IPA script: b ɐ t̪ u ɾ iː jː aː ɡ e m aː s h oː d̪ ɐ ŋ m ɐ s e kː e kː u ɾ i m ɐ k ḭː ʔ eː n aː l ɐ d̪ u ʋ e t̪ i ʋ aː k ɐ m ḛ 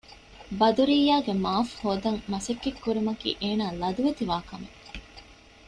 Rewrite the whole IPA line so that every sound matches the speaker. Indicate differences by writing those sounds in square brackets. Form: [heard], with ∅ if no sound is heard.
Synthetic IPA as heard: b ɐ [d̪] u ɾ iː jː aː ɡ e m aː [f] h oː d̪ ɐ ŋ m ɐ s e kː e kː u ɾ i m ɐ k ḭː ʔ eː n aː l ɐ d̪ u ʋ e t̪ i ʋ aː k ɐ m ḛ